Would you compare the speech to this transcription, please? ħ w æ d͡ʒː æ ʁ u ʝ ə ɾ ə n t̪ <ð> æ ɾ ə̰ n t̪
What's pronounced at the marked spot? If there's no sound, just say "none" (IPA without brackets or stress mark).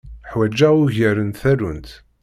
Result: θ